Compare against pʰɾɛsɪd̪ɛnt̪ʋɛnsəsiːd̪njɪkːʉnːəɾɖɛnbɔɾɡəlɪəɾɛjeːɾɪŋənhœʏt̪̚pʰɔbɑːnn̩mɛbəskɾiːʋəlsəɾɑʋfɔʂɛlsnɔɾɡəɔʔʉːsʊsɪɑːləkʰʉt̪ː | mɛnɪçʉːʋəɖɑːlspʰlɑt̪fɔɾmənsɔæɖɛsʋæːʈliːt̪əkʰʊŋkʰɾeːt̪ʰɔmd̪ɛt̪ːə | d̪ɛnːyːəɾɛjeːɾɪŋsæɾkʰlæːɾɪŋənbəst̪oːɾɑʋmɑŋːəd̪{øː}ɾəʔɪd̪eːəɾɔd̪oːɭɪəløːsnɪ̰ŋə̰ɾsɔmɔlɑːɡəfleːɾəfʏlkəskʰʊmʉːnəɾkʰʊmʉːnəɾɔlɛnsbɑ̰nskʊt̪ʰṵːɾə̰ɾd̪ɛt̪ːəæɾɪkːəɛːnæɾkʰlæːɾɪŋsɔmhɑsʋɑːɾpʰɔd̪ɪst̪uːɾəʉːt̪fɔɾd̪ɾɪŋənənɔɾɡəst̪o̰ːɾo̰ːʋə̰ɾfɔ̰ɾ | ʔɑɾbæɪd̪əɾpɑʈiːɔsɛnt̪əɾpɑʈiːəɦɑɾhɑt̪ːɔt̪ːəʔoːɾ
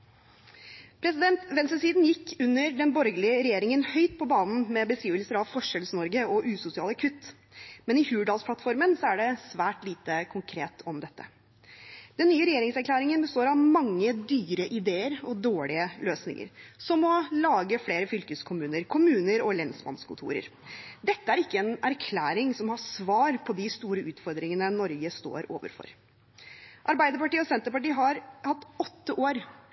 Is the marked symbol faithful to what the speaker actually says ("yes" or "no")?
no